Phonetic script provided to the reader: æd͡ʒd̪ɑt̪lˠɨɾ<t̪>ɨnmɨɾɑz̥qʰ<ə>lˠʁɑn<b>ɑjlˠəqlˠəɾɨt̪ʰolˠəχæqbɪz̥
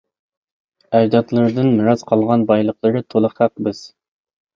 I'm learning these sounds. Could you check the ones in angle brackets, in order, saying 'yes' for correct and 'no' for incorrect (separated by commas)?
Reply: no, no, yes